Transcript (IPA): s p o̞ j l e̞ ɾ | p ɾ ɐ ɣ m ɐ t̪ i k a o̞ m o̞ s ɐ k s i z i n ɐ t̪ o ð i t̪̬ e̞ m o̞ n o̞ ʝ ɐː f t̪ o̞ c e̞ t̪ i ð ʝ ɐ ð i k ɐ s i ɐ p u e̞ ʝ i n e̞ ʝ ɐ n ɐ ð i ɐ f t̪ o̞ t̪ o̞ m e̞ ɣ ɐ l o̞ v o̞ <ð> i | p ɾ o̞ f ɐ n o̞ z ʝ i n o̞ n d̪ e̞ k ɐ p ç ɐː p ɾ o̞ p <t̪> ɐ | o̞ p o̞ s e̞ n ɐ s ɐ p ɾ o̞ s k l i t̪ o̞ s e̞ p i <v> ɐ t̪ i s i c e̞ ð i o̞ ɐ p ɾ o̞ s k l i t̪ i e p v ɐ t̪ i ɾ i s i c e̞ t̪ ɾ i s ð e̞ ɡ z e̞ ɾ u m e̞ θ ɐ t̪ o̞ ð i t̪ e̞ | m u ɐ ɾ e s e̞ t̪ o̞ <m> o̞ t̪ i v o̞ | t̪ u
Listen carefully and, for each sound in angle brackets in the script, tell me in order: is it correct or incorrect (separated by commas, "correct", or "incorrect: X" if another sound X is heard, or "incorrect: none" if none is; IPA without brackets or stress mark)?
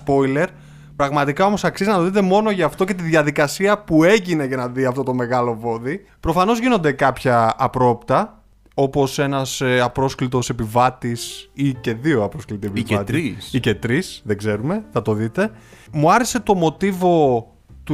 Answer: correct, correct, correct, correct